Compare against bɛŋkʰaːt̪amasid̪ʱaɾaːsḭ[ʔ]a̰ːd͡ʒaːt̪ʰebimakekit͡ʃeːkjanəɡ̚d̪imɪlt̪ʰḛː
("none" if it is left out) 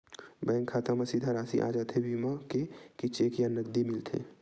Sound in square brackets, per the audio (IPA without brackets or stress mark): ʔ